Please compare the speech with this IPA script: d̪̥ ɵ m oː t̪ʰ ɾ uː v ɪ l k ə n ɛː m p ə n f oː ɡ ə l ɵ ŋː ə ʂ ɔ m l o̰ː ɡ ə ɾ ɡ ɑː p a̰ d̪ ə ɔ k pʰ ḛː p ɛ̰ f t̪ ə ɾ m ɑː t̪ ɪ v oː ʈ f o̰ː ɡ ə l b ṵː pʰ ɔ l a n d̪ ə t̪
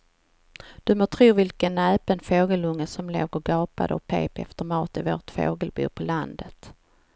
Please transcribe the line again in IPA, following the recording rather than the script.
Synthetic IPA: d̪̥ ɵ m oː t̪ʰ ɾ uː v ɪ l k ə n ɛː p ə n f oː ɡ ə l ɵ ŋː ə s ɔ m l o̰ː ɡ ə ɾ ɡ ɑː p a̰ d̪ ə ɔ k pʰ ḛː p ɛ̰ f t̪ ə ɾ m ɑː t̪ ɪ v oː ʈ f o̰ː ɡ ə l b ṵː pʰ ɔ l a n d̪ ə t̪